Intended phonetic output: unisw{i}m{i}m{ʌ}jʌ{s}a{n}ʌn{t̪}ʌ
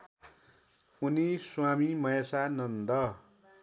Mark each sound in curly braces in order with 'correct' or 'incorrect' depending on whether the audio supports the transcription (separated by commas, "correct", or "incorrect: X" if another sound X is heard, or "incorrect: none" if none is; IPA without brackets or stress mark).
incorrect: a, correct, correct, correct, correct, incorrect: d̪